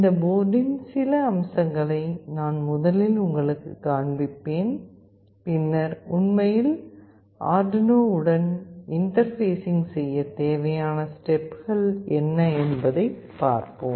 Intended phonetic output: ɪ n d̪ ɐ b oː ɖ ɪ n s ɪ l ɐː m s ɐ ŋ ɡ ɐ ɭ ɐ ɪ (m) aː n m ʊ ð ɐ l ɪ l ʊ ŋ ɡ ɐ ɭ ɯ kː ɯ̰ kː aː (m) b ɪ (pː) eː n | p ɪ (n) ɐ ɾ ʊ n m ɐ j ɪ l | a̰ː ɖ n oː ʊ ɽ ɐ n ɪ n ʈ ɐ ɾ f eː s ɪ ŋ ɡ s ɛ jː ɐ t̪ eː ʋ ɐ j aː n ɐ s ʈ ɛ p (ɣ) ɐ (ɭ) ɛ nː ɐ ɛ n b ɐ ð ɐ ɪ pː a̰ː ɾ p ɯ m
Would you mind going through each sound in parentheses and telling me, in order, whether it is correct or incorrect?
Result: incorrect: n, incorrect: ɳ, correct, incorrect: nː, correct, correct

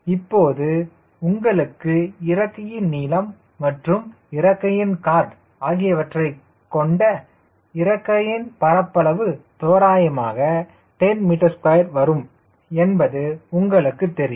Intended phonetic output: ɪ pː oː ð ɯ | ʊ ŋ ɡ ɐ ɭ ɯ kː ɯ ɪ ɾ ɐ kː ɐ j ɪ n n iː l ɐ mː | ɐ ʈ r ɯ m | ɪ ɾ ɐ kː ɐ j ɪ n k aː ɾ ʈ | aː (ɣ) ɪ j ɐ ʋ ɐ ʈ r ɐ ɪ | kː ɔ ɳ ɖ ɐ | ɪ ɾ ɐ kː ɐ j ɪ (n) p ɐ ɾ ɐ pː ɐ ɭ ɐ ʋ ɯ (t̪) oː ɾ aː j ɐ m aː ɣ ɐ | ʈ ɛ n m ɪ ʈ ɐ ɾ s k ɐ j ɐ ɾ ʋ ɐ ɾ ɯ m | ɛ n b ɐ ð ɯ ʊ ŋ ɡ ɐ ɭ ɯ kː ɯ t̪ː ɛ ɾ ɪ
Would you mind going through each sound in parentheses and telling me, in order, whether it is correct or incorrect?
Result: correct, correct, correct

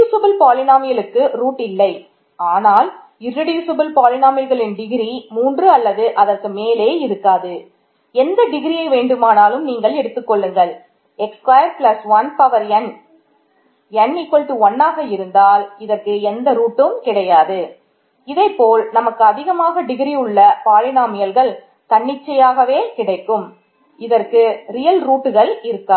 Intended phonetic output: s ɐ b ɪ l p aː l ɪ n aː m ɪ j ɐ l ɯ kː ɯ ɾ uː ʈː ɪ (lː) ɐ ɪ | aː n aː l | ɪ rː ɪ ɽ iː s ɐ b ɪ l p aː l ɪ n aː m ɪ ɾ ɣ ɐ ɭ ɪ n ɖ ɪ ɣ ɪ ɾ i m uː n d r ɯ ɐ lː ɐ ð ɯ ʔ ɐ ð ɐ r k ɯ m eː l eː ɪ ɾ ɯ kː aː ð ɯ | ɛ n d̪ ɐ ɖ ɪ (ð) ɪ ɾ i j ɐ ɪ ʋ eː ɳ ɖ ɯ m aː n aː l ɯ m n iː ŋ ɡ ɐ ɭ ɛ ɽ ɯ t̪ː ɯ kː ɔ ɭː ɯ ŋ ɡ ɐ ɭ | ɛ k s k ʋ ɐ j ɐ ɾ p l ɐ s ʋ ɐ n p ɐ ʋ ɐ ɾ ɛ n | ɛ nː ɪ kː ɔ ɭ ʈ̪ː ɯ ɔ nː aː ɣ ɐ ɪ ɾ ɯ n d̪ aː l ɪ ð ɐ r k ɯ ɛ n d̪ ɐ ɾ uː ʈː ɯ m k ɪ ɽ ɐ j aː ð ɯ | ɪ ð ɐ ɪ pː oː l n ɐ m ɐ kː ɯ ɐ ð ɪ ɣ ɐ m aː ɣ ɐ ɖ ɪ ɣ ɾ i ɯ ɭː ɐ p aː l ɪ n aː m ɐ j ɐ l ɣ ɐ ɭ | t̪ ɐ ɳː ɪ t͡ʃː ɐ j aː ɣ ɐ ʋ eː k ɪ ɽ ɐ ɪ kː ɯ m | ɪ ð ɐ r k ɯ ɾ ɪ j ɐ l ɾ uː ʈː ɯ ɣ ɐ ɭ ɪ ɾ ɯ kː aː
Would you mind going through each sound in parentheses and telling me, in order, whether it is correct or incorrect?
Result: correct, incorrect: ɣ

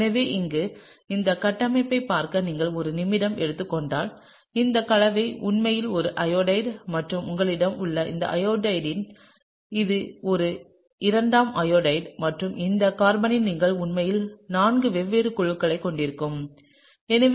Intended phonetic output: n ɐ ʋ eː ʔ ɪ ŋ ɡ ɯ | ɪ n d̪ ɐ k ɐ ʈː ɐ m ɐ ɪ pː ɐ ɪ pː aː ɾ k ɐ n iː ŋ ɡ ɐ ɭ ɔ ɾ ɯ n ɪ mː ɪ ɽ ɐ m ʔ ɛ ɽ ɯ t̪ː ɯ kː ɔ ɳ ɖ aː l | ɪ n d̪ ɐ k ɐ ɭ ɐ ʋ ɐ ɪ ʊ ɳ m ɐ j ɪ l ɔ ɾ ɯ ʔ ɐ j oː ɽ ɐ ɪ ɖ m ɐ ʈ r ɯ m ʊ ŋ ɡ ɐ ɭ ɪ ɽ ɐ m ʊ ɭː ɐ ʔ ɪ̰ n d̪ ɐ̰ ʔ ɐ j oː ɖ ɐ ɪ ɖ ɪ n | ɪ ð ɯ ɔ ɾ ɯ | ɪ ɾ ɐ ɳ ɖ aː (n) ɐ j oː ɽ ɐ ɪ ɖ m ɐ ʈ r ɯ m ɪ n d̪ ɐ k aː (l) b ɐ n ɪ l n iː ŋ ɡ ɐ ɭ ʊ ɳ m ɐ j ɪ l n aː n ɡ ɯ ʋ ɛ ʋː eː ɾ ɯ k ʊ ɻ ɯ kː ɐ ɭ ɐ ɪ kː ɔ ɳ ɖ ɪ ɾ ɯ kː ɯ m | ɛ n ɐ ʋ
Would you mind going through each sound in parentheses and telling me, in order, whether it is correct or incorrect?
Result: incorrect: m, incorrect: ɾ

